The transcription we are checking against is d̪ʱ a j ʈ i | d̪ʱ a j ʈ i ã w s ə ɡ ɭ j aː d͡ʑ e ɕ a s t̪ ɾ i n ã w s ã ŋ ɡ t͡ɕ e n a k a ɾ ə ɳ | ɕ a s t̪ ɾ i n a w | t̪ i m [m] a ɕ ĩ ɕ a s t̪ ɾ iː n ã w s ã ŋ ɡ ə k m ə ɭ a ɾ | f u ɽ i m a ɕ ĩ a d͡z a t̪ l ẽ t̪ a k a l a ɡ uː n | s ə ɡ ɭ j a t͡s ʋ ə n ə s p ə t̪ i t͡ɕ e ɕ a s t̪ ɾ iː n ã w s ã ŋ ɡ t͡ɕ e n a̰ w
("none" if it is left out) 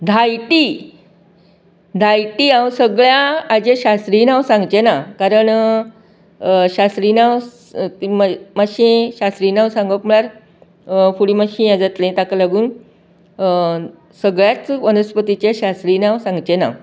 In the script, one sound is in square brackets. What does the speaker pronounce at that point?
m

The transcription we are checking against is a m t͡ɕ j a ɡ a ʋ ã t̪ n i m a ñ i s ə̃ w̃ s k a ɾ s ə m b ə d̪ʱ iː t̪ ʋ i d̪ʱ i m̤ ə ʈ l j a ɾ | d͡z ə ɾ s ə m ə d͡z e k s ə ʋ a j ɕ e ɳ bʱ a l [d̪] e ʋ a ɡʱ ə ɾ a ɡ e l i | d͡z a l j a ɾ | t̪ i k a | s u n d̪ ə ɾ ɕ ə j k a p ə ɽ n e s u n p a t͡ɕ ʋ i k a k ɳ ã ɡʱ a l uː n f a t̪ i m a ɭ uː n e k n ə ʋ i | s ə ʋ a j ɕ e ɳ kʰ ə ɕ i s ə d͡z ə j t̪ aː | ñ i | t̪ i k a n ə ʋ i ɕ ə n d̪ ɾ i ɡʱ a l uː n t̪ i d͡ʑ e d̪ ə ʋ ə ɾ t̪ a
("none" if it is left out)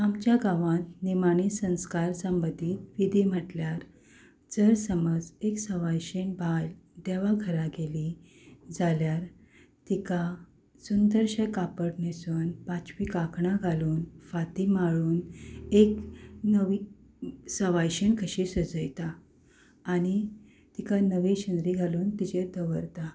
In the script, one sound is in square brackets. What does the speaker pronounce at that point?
d̪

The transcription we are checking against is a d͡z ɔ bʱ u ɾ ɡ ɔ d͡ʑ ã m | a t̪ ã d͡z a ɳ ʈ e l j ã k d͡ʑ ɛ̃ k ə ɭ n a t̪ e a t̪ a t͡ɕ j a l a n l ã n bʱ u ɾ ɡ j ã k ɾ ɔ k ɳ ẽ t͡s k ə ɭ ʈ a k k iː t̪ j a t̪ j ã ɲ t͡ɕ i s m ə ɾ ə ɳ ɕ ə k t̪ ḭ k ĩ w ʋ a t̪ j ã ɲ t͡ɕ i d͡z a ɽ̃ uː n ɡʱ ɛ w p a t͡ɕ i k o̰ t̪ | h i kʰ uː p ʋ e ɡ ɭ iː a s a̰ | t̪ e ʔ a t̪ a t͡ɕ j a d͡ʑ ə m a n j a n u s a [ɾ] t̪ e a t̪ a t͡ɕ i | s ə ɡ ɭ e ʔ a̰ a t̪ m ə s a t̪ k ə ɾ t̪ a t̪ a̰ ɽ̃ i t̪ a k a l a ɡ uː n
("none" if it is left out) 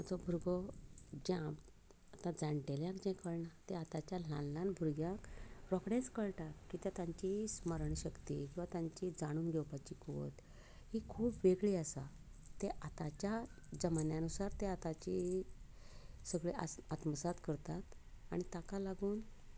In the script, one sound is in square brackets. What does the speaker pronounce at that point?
ɾ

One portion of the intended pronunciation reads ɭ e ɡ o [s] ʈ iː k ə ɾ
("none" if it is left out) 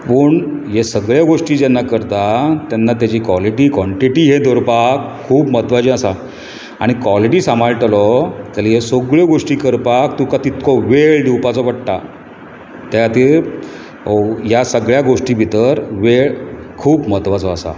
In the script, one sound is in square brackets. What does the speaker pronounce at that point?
ʂ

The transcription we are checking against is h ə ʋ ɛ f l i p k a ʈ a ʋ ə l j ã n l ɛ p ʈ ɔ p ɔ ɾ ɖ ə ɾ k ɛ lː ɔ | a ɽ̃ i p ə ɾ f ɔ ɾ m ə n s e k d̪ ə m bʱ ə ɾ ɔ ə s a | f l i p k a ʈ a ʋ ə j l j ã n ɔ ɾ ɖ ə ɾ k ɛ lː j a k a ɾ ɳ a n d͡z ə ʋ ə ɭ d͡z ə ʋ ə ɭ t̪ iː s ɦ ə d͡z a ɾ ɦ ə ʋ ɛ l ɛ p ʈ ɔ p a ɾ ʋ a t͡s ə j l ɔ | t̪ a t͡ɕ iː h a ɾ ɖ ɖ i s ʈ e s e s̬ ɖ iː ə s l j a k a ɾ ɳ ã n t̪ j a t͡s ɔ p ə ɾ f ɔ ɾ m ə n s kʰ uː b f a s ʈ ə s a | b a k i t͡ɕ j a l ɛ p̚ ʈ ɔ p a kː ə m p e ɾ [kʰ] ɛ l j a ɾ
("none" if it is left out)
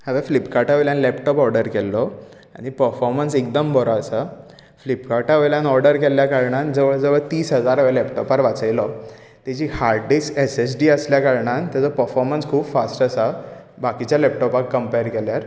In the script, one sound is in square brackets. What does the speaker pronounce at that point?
k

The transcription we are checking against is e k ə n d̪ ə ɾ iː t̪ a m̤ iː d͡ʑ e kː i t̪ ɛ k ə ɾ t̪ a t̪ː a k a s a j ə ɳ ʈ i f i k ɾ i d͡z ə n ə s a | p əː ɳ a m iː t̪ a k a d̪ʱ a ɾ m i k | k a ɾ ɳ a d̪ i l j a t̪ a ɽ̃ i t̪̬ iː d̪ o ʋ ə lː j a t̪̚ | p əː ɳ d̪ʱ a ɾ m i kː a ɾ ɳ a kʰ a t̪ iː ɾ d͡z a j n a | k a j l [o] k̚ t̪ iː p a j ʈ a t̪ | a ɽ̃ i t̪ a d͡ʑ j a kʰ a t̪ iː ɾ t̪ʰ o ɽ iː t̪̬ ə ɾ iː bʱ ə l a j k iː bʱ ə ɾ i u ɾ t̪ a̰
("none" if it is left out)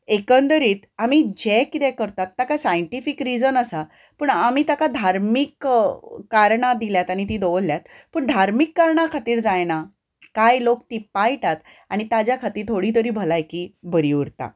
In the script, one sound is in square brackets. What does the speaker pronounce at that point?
o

